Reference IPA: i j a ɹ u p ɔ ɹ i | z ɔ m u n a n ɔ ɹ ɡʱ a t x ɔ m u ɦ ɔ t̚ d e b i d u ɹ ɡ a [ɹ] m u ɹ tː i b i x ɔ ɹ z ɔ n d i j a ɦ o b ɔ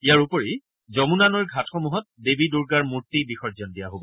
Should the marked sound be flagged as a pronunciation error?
no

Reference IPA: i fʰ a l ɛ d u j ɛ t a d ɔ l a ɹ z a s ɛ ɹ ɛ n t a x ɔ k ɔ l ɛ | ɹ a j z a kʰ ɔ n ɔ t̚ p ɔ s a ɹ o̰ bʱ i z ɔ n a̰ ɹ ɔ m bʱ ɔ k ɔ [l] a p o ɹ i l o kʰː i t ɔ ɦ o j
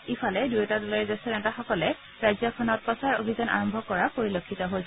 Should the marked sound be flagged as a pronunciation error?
yes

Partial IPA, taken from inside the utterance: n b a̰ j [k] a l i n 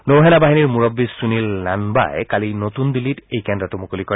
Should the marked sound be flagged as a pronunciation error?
no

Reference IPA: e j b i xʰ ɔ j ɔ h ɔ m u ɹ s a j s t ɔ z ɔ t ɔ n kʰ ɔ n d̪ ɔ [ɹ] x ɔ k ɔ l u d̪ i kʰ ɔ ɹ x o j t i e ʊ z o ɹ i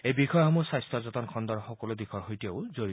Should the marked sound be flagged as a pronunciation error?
no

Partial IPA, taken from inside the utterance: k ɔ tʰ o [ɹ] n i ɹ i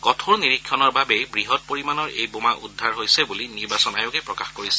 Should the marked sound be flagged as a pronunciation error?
no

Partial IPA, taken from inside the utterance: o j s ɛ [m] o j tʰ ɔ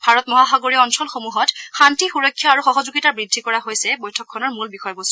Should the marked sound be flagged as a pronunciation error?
yes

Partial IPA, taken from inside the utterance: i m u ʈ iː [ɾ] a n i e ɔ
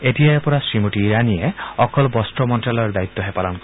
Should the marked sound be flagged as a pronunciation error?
no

